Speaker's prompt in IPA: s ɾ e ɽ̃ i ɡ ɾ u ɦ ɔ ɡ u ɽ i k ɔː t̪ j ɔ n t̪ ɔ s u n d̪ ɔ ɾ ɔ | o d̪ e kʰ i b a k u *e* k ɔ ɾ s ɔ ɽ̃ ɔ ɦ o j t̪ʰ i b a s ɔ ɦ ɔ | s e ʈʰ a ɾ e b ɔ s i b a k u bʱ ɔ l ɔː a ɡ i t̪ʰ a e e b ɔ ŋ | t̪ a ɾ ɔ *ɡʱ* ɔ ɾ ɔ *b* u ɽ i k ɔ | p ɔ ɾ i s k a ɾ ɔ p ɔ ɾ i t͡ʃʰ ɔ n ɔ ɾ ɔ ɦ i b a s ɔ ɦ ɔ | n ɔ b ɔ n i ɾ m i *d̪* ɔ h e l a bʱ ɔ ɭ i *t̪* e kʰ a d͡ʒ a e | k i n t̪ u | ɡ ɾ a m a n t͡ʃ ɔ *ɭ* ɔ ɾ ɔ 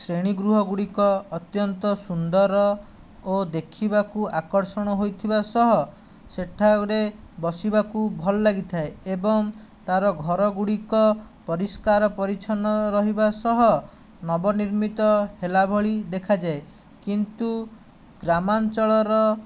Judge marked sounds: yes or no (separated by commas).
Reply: no, yes, no, no, no, yes